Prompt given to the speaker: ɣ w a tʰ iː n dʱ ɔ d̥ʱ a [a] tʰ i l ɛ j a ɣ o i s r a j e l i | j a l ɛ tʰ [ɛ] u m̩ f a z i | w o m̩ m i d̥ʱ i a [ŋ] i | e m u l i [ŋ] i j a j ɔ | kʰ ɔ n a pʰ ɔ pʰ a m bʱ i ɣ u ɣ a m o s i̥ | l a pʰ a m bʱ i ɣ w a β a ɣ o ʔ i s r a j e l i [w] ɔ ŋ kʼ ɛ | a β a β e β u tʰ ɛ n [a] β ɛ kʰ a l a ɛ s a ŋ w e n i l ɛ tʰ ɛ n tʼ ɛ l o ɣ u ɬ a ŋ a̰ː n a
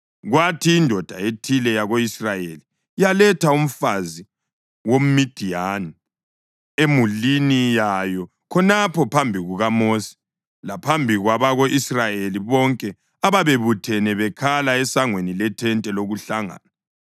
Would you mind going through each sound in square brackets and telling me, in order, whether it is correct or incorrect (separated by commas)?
incorrect, incorrect, incorrect, incorrect, incorrect, incorrect